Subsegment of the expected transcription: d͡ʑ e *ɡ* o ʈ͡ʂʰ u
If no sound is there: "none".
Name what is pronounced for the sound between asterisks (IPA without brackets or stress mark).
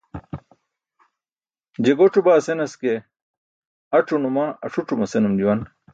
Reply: ɡ